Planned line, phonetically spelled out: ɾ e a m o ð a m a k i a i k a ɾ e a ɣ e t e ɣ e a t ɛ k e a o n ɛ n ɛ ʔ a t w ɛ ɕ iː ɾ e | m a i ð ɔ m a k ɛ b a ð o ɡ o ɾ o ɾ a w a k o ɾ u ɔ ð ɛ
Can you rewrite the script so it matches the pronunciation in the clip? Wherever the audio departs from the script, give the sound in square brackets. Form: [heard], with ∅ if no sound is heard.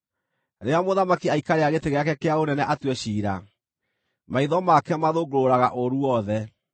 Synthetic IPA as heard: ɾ e a m o ð a m a k i a i k a ɾ e a ɣ e t e ɣ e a [k] ɛ k e a o n ɛ n ɛ ʔ a t w ɛ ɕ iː ɾ [a] | m a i ð ɔ m a k ɛ [m] a ð o ɡ o ɾ o ɾ a [ɣ] a [ʔ] o ɾ u ɔ ð ɛ